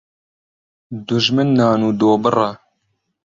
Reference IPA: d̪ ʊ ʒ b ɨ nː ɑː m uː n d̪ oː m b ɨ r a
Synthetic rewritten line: d̪ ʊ ʒ m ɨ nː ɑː n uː d̪ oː b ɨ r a